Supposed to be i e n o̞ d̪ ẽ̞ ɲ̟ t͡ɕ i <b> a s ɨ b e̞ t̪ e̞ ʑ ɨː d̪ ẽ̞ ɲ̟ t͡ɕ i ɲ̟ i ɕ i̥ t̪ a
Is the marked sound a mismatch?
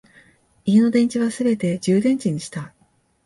yes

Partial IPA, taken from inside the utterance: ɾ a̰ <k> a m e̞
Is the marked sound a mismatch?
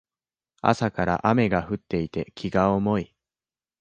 yes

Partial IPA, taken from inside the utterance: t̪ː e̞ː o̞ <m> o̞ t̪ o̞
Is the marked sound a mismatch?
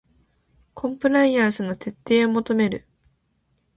no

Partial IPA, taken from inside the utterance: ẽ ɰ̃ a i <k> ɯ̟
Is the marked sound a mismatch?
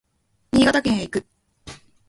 no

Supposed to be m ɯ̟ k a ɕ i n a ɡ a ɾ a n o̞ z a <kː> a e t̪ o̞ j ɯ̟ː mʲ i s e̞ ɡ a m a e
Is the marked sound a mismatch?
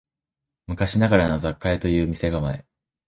no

